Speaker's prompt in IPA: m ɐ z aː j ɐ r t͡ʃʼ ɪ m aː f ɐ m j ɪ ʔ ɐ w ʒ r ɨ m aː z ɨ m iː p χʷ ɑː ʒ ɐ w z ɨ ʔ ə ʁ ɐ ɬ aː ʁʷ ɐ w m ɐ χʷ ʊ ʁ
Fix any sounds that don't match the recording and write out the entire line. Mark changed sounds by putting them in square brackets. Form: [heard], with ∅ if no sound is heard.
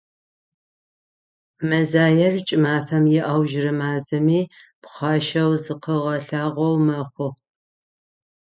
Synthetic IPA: m ɐ z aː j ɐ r t͡ʃʼ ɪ m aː f ɐ m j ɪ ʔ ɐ w ʒ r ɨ m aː z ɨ m iː p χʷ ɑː [ʃ] ɐ w z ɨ [q] ə ʁ ɐ ɬ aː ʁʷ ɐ w m ɐ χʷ ʊ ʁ

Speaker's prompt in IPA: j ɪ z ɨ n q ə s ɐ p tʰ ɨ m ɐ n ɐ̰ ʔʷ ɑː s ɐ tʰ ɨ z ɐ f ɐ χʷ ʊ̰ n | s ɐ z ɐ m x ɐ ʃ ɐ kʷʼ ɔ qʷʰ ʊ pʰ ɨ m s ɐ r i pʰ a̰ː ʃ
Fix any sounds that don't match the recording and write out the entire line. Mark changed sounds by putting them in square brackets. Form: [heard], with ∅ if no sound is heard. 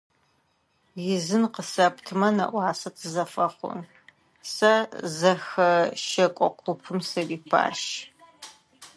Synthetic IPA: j ɪ z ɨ n q ə s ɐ p tʰ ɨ m ɐ n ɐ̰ ʔʷ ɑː s ɐ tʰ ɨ z ɐ f ɐ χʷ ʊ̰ n | s ɐ z ɐ [∅] x ɐ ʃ ɐ kʷʼ ɔ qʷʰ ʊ pʰ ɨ m s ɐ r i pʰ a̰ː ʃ

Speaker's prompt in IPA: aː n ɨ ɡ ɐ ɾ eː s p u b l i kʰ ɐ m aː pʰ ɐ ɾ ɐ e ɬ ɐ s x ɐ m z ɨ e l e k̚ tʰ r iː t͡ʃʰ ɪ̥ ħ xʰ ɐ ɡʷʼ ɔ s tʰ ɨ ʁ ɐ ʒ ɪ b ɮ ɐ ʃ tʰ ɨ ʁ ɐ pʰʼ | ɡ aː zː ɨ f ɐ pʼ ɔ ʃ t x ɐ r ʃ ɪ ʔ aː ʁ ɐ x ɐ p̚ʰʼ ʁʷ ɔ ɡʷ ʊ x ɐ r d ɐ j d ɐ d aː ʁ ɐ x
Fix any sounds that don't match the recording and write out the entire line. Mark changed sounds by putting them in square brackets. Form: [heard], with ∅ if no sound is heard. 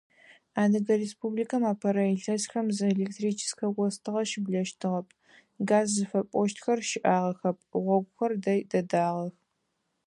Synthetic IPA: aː n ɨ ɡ ɐ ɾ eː s p u b l i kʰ ɐ m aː pʰ ɐ ɾ ɐ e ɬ ɐ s x ɐ m z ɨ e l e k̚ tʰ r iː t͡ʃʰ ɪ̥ [s] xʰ ɐ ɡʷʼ ɔ s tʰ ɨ ʁ ɐ [ʃ] ɪ b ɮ ɐ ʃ tʰ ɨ ʁ ɐ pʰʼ | ɡ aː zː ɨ f ɐ pʼ ɔ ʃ t x ɐ r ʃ ɪ ʔ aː ʁ ɐ x ɐ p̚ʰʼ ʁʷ ɔ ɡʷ ʊ x ɐ r d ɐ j d ɐ d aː ʁ ɐ x

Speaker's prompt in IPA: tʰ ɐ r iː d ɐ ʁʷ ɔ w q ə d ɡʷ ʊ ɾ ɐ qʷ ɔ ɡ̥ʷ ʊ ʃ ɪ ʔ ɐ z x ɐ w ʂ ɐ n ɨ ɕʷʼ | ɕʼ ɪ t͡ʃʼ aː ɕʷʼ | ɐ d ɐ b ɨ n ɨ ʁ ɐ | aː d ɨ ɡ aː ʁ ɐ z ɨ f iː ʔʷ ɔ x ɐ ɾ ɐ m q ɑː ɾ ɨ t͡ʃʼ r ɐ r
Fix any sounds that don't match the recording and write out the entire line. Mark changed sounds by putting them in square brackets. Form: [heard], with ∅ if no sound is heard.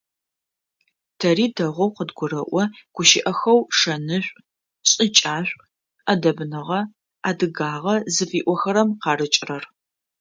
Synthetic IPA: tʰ ɐ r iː d ɐ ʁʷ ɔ w q ə d ɡʷ ʊ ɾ ɐ [ʔʷ] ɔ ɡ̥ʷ ʊ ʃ ɪ ʔ ɐ [∅] x ɐ w ʂ ɐ n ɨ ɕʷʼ | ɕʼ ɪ t͡ʃʼ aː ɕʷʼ | ɐ d ɐ b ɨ n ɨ ʁ ɐ | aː d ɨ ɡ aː ʁ ɐ z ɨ f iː ʔʷ ɔ x ɐ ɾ ɐ m q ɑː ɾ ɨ t͡ʃʼ r ɐ r

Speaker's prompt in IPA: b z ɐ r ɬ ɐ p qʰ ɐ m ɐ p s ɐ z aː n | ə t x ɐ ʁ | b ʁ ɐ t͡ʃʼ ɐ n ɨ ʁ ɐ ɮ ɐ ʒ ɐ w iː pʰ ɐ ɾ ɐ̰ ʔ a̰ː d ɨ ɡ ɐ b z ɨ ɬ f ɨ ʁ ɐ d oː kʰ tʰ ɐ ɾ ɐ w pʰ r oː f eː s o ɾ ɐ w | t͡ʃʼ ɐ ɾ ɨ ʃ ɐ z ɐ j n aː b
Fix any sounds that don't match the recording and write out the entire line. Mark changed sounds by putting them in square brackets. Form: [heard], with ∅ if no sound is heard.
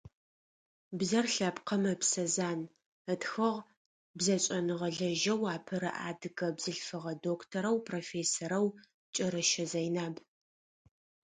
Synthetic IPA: b z ɐ r ɬ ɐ p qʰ ɐ m ɐ p s ɐ z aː n | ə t x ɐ ʁ | b [z] ɐ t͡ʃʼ ɐ n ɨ ʁ ɐ ɮ ɐ ʒ ɐ w [aː] pʰ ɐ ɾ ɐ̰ ʔ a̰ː d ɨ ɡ ɐ b z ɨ ɬ f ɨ ʁ ɐ d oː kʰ tʰ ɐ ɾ ɐ w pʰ r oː f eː s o ɾ ɐ w | t͡ʃʼ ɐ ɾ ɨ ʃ ɐ z ɐ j n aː b

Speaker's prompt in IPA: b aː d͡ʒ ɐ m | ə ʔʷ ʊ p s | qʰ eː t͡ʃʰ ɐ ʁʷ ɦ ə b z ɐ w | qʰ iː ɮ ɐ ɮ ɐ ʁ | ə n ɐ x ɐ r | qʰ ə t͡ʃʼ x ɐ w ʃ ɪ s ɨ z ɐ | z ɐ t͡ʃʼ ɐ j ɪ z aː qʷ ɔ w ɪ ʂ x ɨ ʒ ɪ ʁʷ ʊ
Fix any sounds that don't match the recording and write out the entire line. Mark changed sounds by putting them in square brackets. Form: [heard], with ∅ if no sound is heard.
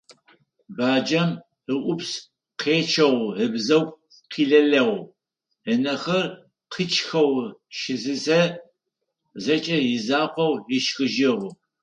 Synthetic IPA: b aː d͡ʒ ɐ m | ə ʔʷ ʊ p s | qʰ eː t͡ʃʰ ɐ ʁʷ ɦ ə b z ɐ w | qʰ iː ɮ ɐ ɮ ɐ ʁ | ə n ɐ x ɐ r | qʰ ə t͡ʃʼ x ɐ w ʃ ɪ [z] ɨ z ɐ | z ɐ t͡ʃʼ ɐ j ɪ z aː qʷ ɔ w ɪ [ʃ] x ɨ ʒ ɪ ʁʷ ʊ

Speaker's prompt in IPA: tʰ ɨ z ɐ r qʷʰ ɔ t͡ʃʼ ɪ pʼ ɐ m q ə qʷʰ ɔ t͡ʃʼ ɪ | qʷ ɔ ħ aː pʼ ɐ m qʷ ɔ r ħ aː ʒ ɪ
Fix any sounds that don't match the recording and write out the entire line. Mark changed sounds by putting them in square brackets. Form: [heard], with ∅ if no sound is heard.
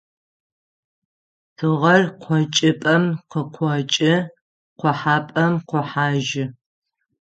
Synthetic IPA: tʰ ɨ [ʁ] ɐ r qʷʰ ɔ t͡ʃʼ ɪ pʼ ɐ m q ə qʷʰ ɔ t͡ʃʼ ɪ | qʷ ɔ ħ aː pʼ ɐ m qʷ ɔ [∅] ħ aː ʒ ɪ

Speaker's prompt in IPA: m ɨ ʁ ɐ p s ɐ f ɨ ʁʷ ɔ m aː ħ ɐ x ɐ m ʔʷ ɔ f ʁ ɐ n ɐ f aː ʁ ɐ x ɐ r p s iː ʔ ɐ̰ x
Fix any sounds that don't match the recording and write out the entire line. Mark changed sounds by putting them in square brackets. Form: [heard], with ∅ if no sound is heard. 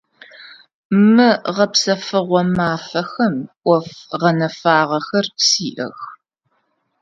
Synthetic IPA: m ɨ ʁ ɐ p s ɐ f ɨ ʁʷ ɔ m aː [f] ɐ x ɐ m ʔʷ ɔ f ʁ ɐ n ɐ f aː ʁ ɐ x ɐ r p s iː ʔ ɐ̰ x

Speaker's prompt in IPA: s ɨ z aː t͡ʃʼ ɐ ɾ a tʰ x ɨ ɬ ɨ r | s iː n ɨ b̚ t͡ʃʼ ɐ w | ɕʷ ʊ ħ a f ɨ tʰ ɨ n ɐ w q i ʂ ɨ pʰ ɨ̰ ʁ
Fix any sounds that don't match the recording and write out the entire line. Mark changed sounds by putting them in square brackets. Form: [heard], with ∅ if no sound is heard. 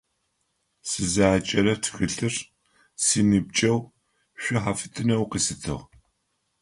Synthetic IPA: s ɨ z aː t͡ʃʼ ɐ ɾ [ɐ] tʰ x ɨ ɬ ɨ r | s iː n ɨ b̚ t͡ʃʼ ɐ w | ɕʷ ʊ ħ a f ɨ tʰ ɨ n ɐ w q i [s] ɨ [tʰ] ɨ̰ ʁ

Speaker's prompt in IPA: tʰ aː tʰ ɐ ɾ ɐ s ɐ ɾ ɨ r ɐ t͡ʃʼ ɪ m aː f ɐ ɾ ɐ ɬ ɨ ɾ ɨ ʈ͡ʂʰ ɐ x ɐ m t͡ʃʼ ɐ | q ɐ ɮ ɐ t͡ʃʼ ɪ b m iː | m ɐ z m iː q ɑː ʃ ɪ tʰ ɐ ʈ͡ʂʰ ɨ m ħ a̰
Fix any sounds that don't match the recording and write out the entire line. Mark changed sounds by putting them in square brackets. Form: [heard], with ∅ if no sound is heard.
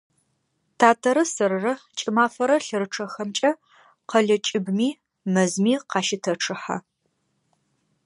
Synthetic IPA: tʰ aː tʰ ɐ ɾ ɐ s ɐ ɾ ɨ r ɐ t͡ʃʼ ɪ m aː f ɐ ɾ ɐ ɬ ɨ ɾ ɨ ʈ͡ʂʰ ɐ x ɐ m t͡ʃʼ ɐ | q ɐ ɮ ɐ t͡ʃʼ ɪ b m iː | m ɐ z m iː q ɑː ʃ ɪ tʰ ɐ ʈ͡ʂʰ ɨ [∅] ħ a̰

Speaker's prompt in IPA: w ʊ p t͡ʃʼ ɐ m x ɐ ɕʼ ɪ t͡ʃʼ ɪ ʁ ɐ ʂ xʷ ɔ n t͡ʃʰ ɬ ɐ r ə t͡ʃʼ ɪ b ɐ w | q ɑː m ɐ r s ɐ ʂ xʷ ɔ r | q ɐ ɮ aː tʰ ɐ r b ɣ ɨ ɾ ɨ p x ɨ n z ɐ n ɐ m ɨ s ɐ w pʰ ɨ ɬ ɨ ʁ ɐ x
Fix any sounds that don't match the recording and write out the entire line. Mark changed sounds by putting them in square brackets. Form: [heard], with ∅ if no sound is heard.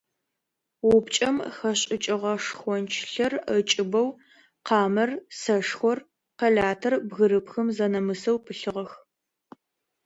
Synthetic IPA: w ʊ p t͡ʃʼ ɐ m x ɐ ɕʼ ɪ t͡ʃʼ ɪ ʁ ɐ ʂ xʷ ɔ n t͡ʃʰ ɬ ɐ r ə t͡ʃʼ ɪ b ɐ w | q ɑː m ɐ r s ɐ ʂ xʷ ɔ r | q ɐ ɮ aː tʰ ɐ r b ɣ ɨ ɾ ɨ p x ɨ [m] z ɐ n ɐ m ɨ s ɐ w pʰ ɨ ɬ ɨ ʁ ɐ x

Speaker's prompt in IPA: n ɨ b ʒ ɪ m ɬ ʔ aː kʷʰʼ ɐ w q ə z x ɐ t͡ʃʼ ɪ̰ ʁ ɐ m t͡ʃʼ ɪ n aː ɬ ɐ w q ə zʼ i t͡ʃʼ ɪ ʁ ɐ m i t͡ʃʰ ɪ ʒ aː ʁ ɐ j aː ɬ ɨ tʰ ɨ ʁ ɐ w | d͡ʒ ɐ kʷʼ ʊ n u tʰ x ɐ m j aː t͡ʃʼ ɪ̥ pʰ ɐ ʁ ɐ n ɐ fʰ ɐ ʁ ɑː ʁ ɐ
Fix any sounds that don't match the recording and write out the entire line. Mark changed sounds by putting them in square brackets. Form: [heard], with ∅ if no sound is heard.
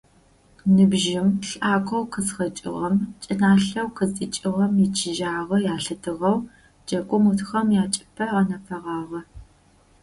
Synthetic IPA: n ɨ b ʒ ɪ m ɬ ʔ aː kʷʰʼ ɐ w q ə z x ɐ t͡ʃʼ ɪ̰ ʁ ɐ m t͡ʃʼ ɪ n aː ɬ ɐ w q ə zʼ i t͡ʃʼ ɪ ʁ ɐ m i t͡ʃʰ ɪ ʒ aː ʁ ɐ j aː ɬ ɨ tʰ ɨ ʁ ɐ w | d͡ʒ ɐ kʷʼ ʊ [m] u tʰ x ɐ m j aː t͡ʃʼ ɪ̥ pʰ ɐ ʁ ɐ n ɐ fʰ ɐ ʁ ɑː ʁ ɐ

